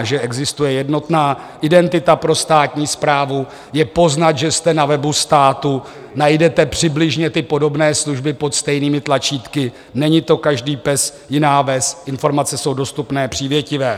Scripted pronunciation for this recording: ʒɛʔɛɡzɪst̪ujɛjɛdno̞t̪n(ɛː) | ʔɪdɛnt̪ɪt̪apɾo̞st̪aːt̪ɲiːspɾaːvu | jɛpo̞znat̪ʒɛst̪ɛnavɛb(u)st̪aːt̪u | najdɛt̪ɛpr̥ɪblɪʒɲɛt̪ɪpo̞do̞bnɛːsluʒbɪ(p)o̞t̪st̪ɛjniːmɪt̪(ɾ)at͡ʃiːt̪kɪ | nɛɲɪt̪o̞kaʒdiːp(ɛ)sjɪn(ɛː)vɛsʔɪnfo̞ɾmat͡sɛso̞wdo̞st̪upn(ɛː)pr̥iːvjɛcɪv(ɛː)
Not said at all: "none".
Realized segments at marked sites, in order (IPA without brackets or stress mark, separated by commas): aː, u, p, l, ɛ, aː, ɛː, ɛː